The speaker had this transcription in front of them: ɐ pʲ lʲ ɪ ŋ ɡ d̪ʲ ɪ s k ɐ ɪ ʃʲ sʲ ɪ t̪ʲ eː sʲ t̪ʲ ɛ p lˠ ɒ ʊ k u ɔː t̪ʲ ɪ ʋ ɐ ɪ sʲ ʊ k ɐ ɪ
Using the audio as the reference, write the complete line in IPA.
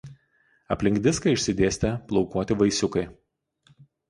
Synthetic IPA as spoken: ɐ pʲ lʲ ɪ ŋ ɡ d̪ʲ ɪ s k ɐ ɪ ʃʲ sʲ ɪ d̪ʲ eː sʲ t̪ʲ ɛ p lˠ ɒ ʊ k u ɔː t̪ʲ ɪ ʋ ɐ ɪ sʲ ʊ k ɐ ɪ